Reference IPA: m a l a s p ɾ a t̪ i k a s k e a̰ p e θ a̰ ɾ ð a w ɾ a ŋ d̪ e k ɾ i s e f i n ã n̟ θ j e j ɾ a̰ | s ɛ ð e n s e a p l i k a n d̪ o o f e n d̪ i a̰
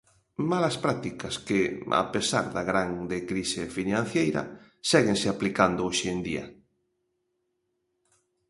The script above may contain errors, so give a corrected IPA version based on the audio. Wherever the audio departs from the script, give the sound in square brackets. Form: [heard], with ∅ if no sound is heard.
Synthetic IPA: m a l a s p ɾ a t̪ i k a s k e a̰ p e [s] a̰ ɾ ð a [ɣ] ɾ a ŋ d̪ e k ɾ i s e f i n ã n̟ θ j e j ɾ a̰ | s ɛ [ɣ] e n s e a p l i k a n d̪ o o [ʃ] e n d̪ i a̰